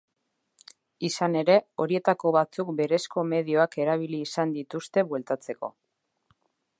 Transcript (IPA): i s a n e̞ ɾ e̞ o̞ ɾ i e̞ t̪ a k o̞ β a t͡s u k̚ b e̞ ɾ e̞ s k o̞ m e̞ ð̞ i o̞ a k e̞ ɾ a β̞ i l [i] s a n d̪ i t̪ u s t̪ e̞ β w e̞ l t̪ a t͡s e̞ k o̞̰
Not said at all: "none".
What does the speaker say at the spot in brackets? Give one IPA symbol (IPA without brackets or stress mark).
iː